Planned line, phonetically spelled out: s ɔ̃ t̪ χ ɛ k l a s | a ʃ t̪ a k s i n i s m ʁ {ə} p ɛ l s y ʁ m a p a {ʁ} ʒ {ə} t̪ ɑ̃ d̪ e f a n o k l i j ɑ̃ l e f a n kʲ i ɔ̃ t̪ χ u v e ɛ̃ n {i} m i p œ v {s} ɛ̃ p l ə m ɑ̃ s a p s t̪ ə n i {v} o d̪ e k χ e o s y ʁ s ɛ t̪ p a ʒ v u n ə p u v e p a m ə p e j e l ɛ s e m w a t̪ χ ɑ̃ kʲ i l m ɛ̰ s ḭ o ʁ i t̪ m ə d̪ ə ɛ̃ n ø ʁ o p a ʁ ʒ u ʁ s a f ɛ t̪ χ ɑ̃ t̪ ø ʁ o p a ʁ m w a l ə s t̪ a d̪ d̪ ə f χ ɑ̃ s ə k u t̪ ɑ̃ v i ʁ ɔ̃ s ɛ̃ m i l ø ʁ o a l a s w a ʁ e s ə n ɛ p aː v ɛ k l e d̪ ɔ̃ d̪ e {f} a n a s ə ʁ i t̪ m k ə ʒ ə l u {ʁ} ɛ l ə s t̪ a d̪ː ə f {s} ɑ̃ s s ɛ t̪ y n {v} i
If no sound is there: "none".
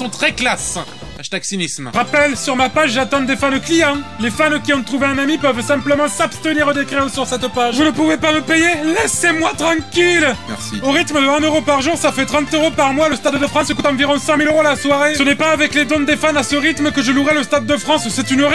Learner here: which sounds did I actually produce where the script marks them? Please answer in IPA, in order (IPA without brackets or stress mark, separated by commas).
a, ʒ, a, a, s, ʁ, f, ʁ, χ, ʁ